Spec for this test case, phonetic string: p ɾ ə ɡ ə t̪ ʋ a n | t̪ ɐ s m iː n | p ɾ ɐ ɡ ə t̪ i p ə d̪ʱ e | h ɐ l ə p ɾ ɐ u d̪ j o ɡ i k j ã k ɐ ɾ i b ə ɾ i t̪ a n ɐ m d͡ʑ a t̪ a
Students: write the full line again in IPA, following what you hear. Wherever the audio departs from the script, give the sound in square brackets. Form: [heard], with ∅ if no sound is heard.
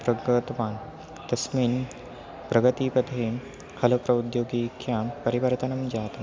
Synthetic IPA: p ɾ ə ɡ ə t̪ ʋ a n | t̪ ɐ s m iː n | p ɾ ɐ ɡ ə t̪ i p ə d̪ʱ e | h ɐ l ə p ɾ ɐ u d̪ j o ɡ i k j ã [p] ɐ ɾ i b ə ɾ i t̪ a n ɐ m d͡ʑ a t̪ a